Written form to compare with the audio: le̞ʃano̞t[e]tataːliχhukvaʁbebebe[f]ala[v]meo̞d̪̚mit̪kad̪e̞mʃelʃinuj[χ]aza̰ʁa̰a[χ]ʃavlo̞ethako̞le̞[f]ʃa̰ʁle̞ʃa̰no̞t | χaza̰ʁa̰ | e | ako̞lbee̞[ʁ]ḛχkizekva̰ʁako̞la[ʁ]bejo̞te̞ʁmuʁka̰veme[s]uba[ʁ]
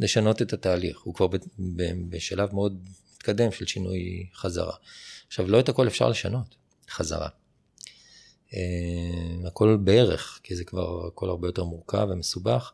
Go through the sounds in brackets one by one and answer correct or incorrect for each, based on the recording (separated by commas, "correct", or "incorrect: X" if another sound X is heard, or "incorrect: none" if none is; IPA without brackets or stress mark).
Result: correct, incorrect: ʃ, correct, correct, correct, correct, correct, correct, correct, incorrect: χ